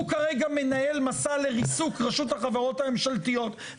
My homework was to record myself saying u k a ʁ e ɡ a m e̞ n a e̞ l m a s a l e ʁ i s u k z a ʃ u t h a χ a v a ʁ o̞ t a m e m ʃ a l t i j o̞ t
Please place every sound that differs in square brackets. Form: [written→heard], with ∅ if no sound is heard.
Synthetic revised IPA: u k a ʁ e ɡ a m e̞ n a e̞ l m a s a l e ʁ i s u k [z→ʁ] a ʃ u t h a χ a v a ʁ o̞ t a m e m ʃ a l t i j o̞ t